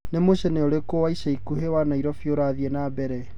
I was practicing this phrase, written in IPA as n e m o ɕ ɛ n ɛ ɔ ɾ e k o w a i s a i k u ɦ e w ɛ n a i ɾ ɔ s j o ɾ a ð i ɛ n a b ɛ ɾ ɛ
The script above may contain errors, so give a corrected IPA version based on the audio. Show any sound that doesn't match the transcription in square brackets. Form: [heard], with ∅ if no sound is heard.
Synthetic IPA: n e m o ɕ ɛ n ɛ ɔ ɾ e k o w a i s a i k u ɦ e w [a] n a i ɾ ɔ [f] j o ɾ a ð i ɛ n a b ɛ ɾ ɛ